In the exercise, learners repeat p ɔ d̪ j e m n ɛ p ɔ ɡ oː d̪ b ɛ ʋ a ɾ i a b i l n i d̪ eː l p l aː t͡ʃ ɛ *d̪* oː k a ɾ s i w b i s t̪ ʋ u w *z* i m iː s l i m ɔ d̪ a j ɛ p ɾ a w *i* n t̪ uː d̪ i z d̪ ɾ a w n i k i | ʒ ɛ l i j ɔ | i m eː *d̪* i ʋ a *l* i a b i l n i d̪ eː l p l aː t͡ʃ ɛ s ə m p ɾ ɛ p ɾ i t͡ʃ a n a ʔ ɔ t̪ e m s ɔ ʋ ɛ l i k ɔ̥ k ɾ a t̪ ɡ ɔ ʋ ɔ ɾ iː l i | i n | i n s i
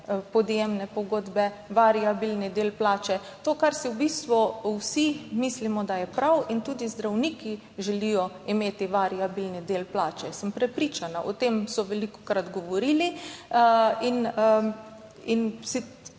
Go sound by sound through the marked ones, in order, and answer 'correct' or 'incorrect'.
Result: incorrect: t̪, incorrect: s, correct, incorrect: t̪, incorrect: ɾ

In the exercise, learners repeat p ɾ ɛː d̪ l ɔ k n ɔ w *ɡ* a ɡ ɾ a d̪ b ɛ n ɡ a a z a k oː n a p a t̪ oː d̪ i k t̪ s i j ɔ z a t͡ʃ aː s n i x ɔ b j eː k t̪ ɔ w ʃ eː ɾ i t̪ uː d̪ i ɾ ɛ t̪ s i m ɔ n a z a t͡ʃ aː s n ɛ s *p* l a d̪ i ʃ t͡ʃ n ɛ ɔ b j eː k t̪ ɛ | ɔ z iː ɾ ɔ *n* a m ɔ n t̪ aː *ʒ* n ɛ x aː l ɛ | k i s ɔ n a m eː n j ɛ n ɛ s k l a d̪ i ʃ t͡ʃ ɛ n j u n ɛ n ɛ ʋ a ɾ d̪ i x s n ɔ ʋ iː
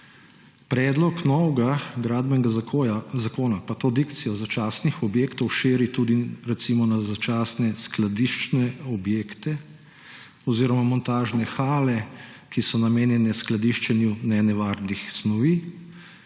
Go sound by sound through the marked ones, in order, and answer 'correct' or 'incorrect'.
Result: correct, incorrect: k, incorrect: m, correct

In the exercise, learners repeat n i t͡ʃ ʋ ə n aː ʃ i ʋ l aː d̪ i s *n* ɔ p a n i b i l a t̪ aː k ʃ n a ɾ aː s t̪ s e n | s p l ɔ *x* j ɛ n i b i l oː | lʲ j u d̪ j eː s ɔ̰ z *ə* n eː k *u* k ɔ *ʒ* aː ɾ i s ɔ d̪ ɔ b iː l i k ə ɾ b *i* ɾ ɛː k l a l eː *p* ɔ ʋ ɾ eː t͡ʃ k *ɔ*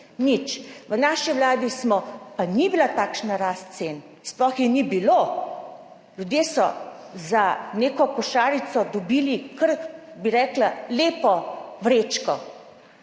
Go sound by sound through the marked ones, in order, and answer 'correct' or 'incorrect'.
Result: incorrect: m, correct, incorrect: a, incorrect: ɔ, incorrect: ʃ, correct, correct, correct

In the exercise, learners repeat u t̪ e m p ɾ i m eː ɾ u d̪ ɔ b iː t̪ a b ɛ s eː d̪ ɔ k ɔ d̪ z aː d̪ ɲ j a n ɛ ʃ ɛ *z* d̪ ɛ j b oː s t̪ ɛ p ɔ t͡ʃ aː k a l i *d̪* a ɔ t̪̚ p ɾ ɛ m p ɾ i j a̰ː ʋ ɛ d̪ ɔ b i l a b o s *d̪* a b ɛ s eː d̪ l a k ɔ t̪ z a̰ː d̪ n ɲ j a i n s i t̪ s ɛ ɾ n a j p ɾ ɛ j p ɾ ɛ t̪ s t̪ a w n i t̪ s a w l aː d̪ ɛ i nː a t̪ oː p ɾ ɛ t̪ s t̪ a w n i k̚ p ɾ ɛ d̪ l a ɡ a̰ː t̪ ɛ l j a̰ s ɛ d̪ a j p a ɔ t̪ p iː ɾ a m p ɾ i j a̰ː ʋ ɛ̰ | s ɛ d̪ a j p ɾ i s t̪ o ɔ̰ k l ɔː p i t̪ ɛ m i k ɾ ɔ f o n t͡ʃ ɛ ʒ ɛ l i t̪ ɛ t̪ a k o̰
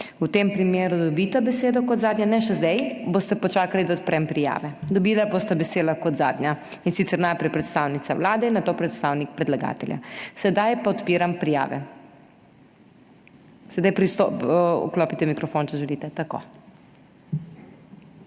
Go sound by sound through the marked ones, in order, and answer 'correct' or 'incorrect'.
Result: correct, correct, incorrect: t̪

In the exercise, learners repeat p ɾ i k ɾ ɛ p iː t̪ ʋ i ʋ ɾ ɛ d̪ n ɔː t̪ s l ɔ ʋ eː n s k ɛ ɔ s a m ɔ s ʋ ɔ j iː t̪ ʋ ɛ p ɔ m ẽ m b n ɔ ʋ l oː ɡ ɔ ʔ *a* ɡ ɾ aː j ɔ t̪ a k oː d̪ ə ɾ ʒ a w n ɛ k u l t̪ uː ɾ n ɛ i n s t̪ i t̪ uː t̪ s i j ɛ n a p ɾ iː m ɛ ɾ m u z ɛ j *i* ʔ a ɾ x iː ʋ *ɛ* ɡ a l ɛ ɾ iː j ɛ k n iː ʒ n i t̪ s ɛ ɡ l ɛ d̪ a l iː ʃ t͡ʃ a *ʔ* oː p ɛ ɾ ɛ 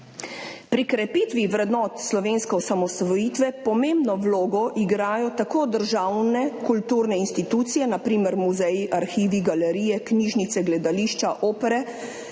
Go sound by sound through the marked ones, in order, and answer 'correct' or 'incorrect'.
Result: incorrect: i, correct, incorrect: i, correct

